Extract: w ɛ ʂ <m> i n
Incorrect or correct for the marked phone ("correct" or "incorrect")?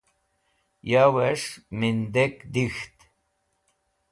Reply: correct